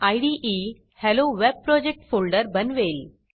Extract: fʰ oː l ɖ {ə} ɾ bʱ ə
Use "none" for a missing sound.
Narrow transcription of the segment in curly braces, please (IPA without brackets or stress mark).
ə